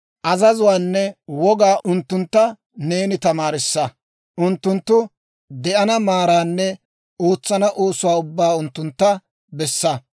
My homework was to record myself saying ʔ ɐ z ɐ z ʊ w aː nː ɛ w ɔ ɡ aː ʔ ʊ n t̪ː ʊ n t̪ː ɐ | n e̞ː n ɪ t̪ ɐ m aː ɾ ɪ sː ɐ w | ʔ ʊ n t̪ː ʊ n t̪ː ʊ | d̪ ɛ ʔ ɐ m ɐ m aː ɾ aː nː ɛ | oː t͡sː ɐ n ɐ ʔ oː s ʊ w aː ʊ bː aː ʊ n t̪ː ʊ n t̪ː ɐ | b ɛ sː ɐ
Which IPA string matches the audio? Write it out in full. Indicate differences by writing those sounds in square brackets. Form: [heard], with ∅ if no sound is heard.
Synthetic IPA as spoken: ʔ ɐ z ɐ z ʊ w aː nː ɛ w ɔ ɡ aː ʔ ʊ n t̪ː ʊ n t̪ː ɐ | n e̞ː n ɪ t̪ ɐ m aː ɾ ɪ sː ɐ [∅] | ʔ ʊ n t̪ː ʊ n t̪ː ʊ | d̪ ɛ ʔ ɐ [n] ɐ m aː ɾ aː nː ɛ | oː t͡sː ɐ n ɐ ʔ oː s ʊ w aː ʊ bː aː ʊ n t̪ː ʊ n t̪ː ɐ | b ɛ sː ɐ